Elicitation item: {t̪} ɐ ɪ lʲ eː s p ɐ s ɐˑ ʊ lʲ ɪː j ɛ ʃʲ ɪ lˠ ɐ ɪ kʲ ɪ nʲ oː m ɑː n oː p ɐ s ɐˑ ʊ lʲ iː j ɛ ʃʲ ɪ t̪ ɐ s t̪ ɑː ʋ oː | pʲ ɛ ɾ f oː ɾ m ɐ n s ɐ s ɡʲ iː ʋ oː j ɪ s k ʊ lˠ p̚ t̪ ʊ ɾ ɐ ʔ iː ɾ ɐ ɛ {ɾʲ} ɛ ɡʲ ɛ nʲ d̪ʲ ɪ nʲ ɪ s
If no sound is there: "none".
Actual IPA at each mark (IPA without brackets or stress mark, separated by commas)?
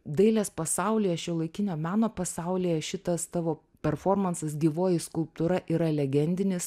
d̪, lʲ